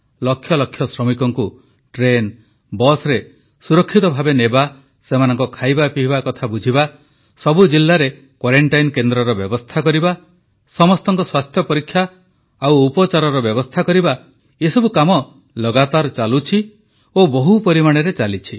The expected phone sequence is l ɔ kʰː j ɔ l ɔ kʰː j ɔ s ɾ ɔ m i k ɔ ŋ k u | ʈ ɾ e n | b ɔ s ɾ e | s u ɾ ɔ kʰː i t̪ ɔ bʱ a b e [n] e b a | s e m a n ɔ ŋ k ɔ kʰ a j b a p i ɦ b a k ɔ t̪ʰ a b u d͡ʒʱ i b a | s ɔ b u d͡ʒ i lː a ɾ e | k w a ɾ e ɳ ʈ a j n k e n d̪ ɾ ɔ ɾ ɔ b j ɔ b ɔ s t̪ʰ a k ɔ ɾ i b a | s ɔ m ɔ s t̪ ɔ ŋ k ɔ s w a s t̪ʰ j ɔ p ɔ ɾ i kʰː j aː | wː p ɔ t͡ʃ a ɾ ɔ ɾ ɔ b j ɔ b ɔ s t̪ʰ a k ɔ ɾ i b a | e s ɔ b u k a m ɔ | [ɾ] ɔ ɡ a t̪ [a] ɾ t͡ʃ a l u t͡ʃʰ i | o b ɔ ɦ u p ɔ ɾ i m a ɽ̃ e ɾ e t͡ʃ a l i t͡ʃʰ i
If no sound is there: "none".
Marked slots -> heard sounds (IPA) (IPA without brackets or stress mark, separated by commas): n, l, a